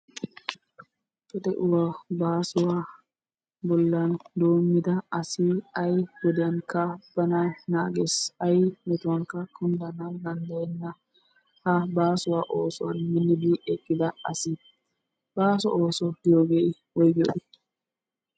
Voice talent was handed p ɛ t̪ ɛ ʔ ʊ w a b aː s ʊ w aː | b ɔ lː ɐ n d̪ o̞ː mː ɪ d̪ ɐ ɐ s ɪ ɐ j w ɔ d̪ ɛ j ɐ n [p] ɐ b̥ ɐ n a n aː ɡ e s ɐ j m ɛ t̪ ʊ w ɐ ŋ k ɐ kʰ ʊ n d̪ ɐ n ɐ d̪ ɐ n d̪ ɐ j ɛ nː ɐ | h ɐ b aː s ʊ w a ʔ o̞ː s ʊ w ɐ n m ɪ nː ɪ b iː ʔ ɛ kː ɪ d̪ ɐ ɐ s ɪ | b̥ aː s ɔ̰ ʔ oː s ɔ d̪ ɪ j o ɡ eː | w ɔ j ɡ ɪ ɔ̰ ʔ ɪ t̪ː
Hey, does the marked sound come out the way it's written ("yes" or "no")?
no